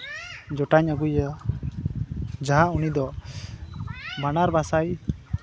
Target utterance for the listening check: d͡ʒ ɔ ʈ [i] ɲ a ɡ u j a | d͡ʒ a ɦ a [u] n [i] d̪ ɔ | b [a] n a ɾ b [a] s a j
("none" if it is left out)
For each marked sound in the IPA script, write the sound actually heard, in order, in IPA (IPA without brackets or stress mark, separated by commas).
a, u, i, a, a